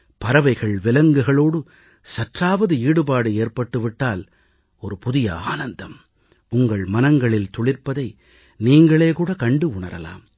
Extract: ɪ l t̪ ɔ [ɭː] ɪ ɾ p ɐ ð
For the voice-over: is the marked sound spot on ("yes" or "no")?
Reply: no